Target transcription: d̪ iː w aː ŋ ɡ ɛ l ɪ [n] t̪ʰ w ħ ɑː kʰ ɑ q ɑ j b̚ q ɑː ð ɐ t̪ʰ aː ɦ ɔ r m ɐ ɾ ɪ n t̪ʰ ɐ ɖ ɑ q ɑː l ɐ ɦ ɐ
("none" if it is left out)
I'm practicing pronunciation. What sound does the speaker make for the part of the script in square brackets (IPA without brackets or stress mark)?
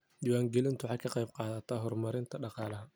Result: n